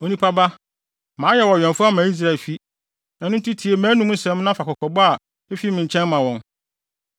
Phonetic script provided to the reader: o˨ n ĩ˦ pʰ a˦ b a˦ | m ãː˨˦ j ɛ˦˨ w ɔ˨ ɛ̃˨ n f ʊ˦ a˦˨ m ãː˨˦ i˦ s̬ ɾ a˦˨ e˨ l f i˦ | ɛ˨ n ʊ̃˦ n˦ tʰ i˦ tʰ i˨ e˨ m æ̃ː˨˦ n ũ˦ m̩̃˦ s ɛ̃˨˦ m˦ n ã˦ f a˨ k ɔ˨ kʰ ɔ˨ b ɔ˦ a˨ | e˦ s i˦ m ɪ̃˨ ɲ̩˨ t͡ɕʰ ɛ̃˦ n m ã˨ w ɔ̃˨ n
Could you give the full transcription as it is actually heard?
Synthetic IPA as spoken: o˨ n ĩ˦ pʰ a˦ b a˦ | m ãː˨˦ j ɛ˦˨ w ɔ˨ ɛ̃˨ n f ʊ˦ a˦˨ m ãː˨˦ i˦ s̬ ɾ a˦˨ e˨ l f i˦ | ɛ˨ n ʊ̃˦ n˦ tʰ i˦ tʰ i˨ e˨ m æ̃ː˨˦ n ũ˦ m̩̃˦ s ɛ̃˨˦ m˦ n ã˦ f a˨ k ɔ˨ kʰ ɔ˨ b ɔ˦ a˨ | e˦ f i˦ m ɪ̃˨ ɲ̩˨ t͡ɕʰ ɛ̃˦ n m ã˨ w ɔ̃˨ n